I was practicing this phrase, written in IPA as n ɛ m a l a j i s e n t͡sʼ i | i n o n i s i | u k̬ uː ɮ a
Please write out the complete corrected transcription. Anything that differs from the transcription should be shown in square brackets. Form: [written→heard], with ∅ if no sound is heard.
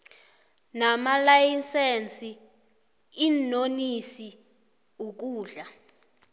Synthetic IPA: n [ɛ→a] m a l a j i s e n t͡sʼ i | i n o n i s i | u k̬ uː ɮ a